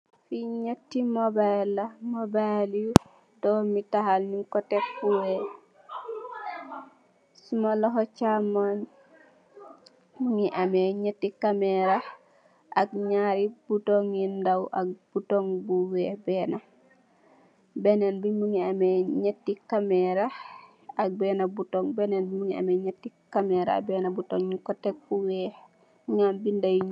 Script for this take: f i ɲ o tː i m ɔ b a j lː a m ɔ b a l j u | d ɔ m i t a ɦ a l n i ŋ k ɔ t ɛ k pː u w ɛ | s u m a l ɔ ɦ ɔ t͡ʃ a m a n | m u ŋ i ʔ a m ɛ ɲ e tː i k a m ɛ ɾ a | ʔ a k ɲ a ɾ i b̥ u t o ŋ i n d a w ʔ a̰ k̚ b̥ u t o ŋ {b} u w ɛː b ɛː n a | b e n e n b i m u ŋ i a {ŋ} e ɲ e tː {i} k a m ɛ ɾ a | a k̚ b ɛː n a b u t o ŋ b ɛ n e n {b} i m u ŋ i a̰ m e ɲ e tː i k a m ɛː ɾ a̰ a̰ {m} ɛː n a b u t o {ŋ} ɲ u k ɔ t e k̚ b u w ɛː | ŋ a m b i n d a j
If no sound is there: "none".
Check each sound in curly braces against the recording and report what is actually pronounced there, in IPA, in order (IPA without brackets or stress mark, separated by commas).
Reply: b, m, i, b, b, ŋ